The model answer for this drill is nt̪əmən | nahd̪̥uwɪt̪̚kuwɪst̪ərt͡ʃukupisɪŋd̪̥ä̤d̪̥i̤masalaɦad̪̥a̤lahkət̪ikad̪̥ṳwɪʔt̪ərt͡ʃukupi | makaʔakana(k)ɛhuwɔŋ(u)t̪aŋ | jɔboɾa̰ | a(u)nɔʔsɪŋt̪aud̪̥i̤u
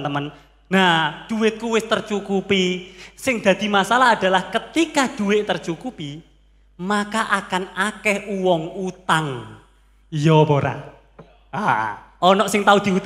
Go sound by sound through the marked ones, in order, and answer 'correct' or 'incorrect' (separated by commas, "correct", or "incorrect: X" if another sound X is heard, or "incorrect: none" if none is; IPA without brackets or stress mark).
correct, correct, incorrect: ɔ